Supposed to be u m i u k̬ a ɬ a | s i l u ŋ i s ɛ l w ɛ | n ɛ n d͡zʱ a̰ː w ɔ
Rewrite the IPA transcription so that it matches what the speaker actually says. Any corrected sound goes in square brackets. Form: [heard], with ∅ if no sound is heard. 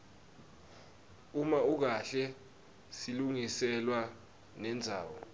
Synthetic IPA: u m [a] u k̬ a ɬ [ɛ] | s i l u ŋ i s ɛ l w [a] | n ɛ n d͡zʱ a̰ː w ɔ